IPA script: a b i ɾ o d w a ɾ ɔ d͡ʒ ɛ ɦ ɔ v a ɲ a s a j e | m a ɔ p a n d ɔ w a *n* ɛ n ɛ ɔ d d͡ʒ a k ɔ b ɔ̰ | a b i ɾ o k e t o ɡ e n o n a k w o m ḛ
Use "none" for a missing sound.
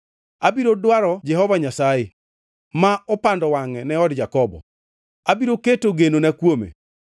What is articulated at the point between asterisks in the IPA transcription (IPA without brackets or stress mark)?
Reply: ŋ